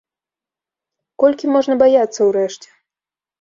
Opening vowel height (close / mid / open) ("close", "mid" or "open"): mid